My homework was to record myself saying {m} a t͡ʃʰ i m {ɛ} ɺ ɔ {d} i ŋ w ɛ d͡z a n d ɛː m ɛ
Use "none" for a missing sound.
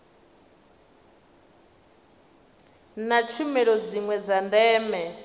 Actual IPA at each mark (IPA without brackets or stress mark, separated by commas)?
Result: n, ɛ, d͡z